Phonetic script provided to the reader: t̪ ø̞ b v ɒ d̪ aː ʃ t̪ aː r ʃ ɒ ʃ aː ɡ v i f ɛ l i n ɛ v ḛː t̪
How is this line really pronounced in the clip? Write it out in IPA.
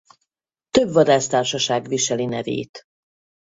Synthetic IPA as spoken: t̪ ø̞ b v ɒ d̪ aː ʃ t̪ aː r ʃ ɒ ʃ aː ɡ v i ʃ ɛ l i n ɛ v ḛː t̪